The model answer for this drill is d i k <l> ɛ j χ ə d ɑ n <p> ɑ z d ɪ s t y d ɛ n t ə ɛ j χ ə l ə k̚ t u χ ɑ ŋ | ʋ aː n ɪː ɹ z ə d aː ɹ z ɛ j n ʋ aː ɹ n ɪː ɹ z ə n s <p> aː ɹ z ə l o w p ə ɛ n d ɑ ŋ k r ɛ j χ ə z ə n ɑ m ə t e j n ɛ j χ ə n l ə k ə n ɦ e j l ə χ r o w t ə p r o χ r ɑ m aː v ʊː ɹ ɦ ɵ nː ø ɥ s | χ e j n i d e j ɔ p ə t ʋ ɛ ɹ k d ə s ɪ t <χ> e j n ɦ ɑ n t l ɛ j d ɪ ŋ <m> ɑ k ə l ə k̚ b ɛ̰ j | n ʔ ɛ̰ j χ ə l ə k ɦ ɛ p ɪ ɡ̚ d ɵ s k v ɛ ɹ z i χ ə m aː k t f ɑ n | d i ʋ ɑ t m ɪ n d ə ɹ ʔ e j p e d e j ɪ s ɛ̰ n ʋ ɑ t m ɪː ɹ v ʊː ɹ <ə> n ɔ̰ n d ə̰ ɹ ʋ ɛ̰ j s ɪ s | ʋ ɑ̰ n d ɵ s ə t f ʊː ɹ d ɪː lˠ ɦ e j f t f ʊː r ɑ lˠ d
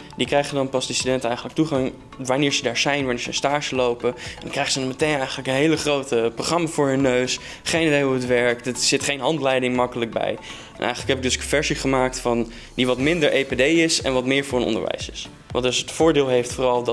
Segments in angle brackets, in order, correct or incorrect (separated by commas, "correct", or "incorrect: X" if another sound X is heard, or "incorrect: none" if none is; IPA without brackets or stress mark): incorrect: r, correct, incorrect: t, correct, correct, correct